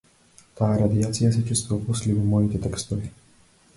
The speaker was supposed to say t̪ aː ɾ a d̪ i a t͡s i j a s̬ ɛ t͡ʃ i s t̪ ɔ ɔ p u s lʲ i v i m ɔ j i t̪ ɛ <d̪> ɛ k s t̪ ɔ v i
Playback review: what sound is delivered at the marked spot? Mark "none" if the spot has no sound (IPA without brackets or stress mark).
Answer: t̪